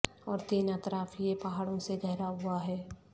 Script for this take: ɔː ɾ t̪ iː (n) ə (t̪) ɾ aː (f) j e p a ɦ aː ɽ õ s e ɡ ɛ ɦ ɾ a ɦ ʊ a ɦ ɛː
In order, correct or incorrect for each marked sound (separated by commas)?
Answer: correct, correct, correct